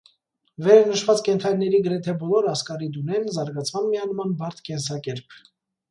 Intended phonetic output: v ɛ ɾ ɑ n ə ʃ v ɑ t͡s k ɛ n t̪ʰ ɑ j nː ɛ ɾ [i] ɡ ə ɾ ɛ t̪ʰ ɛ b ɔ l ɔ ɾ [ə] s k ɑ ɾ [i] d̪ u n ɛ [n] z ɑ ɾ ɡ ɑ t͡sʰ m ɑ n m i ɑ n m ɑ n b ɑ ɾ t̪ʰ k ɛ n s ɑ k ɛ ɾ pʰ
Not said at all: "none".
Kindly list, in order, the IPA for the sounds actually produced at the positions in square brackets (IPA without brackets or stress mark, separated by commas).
i, ɑ, i, n